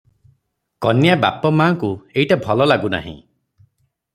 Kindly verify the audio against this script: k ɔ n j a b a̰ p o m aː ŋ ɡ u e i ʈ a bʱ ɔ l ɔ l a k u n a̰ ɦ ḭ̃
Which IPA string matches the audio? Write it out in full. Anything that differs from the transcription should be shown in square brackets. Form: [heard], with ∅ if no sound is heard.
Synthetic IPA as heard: k ɔ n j a b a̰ p [ɔ] m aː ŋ [k] u e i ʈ a bʱ ɔ l ɔ l a [ɡ] u n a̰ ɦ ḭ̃